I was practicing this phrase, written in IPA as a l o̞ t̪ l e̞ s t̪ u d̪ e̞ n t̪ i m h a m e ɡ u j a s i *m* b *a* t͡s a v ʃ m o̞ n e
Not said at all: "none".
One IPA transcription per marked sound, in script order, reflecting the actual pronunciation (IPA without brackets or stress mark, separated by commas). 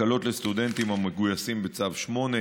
m, e